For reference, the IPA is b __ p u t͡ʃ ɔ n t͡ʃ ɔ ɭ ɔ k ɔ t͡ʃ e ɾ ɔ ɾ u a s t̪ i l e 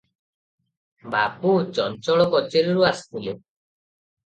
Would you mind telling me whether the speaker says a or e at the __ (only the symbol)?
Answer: a